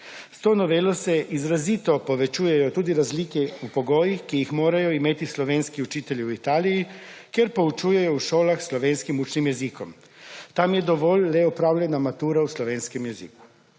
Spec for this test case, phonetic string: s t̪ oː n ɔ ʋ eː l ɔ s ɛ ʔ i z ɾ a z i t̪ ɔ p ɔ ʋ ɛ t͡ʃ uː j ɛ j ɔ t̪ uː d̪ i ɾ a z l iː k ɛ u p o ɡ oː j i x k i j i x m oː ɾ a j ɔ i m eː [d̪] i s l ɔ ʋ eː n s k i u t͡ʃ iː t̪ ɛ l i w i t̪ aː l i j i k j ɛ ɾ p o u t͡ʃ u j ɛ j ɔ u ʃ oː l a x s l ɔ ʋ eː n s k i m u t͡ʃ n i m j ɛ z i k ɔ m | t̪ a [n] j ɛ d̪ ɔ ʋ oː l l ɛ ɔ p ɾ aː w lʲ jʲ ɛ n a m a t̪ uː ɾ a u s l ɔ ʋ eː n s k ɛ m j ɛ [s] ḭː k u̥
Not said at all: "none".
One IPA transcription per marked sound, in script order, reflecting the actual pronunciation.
t̪, m, z

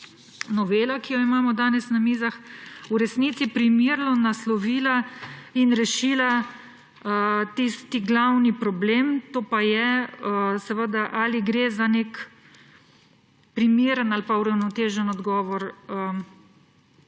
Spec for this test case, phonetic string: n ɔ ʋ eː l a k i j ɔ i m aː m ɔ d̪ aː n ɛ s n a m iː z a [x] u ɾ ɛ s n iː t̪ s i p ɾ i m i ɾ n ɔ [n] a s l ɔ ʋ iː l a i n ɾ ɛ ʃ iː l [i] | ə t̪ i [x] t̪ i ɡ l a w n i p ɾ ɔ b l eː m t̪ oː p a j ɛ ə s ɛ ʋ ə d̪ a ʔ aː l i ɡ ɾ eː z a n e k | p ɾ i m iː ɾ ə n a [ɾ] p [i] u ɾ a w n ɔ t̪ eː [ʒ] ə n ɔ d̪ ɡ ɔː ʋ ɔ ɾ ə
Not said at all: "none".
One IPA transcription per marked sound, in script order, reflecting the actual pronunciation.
x, n, a, s, l, a, ʒ

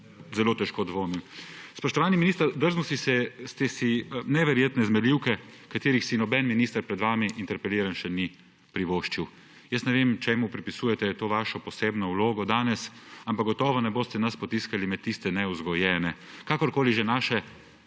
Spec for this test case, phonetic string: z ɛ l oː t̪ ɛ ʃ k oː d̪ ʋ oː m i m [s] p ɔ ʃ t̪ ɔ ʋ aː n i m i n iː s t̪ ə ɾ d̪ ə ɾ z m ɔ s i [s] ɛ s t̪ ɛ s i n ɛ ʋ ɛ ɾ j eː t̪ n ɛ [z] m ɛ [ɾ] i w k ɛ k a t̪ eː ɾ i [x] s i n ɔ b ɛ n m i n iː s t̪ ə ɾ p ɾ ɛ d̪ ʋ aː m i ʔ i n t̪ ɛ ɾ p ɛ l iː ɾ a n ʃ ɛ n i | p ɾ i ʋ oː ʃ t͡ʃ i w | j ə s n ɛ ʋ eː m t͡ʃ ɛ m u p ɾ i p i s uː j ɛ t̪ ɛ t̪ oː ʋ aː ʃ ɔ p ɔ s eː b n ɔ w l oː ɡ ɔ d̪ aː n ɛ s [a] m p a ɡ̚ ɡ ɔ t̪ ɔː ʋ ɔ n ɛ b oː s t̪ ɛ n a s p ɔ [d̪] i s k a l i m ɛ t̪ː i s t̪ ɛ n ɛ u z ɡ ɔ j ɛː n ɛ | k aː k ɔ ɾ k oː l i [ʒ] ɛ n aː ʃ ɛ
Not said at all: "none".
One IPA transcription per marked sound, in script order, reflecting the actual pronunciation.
s, s, z, l, x, a, t̪, ʒ

